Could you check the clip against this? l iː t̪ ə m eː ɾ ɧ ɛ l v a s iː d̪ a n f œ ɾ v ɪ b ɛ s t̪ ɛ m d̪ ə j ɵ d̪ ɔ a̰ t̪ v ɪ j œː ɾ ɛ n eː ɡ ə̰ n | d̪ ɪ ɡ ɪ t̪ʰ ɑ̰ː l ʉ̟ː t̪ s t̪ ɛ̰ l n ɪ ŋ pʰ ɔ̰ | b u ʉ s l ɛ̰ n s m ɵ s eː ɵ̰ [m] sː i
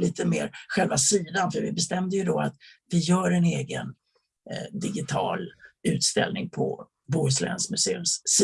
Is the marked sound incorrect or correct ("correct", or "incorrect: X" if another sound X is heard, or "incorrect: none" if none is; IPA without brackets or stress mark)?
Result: correct